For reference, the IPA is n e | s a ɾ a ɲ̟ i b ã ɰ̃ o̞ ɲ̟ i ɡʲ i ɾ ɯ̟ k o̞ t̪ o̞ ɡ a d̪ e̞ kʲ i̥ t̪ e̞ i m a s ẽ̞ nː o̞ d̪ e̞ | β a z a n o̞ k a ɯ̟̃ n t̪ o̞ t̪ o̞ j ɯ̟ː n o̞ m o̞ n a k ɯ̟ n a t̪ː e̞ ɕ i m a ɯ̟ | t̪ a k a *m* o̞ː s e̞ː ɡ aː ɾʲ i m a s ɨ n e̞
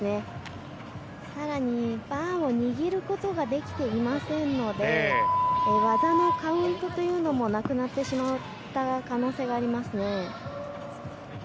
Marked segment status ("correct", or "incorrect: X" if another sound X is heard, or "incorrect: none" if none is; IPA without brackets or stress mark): incorrect: n